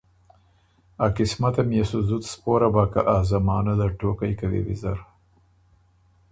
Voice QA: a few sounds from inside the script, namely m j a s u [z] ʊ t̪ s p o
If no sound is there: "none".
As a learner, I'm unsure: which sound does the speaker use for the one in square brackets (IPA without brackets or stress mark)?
z